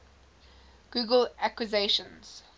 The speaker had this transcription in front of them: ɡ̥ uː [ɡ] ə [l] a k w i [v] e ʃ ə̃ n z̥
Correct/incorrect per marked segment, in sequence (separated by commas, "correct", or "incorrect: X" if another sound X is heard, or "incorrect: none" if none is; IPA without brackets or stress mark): correct, correct, incorrect: z